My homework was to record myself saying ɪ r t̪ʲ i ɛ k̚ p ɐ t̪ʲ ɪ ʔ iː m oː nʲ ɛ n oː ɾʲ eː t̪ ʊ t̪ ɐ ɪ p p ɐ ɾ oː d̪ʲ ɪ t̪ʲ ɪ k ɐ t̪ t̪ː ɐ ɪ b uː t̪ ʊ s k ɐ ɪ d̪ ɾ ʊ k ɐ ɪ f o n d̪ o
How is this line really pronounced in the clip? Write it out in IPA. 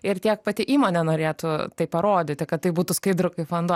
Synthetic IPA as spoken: ɪ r t̪ʲ i ɛ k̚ p ɐ t̪ʲ ɪ ʔ iː m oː nʲ ɛ n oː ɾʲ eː t̪ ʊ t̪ ɐ ɪ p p ɐ ɾ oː d̪ʲ ɪ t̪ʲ ɪ k ɐ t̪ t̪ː ɐ ɪ b uː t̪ ʊ s k ɐ ɪ d̪ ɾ ʊ k ɐ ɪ f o n d̪ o